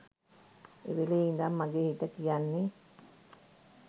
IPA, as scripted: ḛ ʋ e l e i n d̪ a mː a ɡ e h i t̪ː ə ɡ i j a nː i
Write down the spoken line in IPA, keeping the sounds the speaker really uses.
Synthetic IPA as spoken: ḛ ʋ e l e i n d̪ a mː a ɡ e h i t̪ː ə k i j a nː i